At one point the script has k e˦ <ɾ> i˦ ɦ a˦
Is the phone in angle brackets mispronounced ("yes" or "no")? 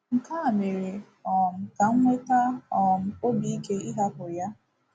yes